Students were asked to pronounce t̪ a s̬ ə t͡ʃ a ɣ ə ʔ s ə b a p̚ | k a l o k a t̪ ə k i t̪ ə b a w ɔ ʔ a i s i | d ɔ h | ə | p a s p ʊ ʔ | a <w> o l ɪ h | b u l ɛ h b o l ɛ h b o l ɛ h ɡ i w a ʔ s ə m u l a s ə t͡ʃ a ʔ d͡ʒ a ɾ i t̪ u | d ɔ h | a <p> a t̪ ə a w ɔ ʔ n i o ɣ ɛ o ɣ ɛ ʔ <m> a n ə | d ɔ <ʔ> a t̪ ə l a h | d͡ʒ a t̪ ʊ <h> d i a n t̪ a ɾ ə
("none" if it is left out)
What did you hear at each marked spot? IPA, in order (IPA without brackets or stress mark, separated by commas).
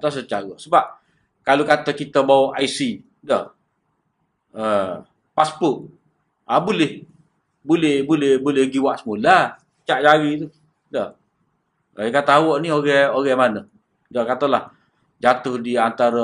b, k, m, k, h